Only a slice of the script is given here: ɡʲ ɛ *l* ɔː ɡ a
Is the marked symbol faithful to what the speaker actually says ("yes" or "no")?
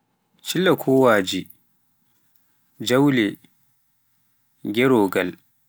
no